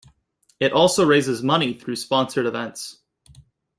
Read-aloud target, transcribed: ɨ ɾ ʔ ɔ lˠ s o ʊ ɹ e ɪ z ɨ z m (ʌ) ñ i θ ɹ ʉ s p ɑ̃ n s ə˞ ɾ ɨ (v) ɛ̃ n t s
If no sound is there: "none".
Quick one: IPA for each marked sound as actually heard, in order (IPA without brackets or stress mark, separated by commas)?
ʌ, v